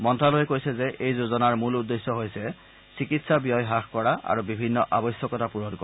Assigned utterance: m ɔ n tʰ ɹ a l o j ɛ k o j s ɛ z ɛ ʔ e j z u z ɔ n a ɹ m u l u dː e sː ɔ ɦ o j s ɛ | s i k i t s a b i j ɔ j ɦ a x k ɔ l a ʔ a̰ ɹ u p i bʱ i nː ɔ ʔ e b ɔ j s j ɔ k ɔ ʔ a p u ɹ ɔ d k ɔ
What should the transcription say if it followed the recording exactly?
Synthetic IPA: m ɔ n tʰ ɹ a l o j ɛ k o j s ɛ z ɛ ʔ e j z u z ɔ n a ɹ m u l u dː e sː ɔ ɦ o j s ɛ | s i k i t s a b i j ɔ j ɦ a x k ɔ ɹ a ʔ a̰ ɹ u b i bʱ i nː ɔ ʔ a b ɔ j s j ɔ k ɔ t a p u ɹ ɔ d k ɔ